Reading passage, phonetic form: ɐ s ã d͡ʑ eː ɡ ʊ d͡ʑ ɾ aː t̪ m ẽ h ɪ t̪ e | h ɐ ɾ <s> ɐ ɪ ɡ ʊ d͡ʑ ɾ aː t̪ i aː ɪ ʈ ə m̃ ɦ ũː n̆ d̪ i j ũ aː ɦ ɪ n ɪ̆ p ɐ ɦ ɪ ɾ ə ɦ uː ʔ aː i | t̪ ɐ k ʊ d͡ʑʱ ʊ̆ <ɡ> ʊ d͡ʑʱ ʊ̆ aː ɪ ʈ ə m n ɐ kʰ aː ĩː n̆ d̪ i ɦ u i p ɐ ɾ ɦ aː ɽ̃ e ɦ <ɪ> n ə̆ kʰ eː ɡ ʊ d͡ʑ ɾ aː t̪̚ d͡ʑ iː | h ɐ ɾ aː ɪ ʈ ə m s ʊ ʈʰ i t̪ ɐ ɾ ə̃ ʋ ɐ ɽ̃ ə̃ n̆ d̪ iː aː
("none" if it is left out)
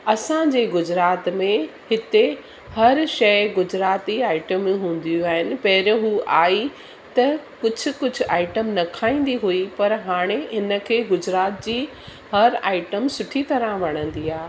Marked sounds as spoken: ʃ, k, ɪ

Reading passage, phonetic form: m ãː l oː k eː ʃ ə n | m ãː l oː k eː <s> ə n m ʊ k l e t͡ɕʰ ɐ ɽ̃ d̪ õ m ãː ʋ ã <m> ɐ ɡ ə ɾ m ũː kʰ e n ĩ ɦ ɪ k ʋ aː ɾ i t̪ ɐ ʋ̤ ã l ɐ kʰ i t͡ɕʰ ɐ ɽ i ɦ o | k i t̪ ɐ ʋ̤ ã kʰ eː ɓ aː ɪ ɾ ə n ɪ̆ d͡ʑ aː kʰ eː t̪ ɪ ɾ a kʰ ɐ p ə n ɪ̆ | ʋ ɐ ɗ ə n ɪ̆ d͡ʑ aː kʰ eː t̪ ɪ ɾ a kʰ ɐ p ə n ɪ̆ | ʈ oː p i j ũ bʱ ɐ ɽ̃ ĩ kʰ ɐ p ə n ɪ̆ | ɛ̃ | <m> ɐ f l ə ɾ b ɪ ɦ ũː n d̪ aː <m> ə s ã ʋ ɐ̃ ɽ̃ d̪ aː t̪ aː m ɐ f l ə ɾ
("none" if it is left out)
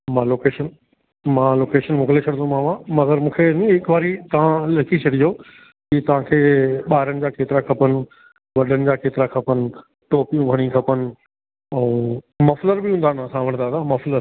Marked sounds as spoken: ʃ, m, m, n

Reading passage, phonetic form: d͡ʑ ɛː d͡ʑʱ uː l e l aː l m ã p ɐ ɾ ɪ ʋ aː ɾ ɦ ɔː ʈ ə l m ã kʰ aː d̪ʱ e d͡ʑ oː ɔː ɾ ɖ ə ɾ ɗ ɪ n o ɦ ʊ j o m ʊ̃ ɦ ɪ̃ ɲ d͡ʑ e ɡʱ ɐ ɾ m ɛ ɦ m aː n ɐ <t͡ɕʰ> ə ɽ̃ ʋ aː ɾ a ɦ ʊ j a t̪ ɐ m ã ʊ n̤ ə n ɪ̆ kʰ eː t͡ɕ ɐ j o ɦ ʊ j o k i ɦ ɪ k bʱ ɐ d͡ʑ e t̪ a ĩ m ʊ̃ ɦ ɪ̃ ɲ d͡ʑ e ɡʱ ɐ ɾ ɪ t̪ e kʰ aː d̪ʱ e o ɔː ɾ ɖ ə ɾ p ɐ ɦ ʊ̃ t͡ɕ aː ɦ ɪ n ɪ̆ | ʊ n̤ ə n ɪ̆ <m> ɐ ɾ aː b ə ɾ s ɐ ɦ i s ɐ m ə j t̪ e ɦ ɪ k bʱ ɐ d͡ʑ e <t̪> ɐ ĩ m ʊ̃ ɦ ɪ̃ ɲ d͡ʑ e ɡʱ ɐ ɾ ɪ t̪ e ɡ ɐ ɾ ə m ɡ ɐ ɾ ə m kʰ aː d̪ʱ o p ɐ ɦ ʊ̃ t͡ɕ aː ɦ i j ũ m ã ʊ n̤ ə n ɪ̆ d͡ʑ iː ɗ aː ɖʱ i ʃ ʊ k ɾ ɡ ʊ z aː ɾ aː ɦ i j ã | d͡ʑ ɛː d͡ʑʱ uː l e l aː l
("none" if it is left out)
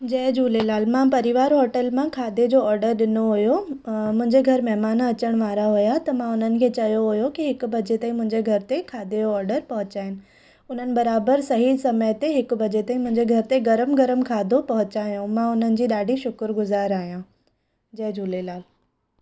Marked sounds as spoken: t͡ɕ, b, t̪

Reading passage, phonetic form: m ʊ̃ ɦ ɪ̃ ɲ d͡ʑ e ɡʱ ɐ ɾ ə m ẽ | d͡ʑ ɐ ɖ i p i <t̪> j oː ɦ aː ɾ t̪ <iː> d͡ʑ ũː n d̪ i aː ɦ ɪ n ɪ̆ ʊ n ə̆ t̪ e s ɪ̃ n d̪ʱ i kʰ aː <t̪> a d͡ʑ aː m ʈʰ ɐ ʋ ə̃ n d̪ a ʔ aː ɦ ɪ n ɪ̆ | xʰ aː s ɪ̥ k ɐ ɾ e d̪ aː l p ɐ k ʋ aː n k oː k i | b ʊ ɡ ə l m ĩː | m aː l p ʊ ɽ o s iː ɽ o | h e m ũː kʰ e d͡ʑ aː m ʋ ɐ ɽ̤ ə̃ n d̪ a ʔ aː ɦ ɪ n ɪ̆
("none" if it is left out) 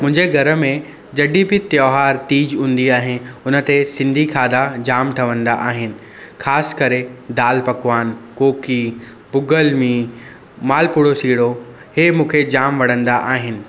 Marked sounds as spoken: t̪, iː, d̪

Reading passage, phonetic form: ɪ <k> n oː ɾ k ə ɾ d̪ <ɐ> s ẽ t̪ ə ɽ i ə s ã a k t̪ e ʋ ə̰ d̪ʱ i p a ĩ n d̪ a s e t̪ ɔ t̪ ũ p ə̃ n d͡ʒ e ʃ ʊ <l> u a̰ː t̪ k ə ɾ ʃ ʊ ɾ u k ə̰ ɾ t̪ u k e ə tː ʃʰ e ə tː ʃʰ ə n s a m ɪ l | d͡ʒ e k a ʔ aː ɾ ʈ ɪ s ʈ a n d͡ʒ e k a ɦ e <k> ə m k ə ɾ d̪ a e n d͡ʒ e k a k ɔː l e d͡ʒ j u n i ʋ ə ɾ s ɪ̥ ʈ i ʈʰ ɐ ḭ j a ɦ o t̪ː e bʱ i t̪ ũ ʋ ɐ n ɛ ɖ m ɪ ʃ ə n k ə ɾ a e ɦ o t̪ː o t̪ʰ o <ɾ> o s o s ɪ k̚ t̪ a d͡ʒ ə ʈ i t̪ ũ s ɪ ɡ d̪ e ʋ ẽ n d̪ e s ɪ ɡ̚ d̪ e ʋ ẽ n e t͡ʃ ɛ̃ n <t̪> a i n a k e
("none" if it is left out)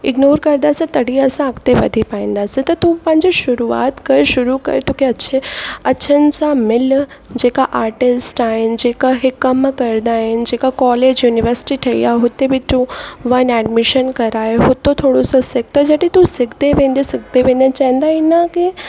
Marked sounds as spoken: ɡ, a, ɾ, k, ɽ, d̪

